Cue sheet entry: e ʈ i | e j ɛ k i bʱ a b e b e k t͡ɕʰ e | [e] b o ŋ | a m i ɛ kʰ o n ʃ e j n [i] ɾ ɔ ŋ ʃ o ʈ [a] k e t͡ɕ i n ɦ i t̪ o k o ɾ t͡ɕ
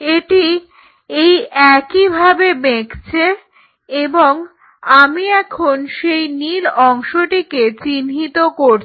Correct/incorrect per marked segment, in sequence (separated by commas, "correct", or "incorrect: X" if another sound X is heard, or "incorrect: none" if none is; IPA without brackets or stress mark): correct, correct, incorrect: i